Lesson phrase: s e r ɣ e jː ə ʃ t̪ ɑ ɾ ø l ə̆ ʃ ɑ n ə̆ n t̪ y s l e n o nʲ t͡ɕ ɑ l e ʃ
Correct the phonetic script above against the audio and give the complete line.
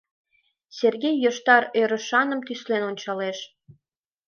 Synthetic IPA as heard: s e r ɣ e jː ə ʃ t̪ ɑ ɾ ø ɾ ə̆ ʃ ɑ n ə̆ m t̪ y s l e n o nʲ t͡ɕ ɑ l e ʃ